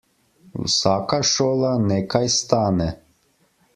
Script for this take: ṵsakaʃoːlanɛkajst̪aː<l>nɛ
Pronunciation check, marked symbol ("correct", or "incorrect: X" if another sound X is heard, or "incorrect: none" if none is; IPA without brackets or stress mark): incorrect: none